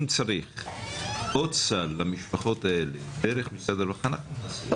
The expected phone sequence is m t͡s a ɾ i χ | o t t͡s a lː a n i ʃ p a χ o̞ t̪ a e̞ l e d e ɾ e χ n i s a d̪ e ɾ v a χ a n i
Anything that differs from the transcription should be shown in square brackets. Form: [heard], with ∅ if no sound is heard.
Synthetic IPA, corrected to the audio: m t͡s a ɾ i χ | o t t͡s a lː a [m] i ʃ p a χ o̞ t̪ a e̞ l e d e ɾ e χ [m] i s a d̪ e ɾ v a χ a n [a]